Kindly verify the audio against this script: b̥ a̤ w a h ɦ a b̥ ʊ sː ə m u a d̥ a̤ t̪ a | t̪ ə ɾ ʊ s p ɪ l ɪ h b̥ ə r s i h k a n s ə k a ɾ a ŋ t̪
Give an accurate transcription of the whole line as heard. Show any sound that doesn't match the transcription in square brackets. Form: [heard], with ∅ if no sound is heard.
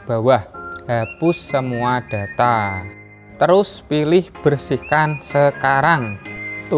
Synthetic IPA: b̥ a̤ w a h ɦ a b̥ ʊ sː ə m u a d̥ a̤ t̪ a | t̪ ə ɾ ʊ s p [i] l ɪ h b̥ ə r s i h k a n s ə k a ɾ a ŋ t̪